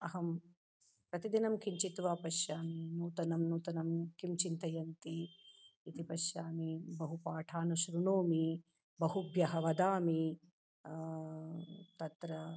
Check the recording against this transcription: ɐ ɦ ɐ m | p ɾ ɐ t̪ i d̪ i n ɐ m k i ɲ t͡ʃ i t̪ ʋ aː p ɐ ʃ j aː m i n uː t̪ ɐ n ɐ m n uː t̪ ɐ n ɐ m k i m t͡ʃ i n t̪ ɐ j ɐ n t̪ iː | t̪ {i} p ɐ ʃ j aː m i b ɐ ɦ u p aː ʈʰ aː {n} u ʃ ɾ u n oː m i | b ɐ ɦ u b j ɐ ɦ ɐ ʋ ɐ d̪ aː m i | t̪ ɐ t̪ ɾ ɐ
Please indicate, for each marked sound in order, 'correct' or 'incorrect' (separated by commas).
correct, correct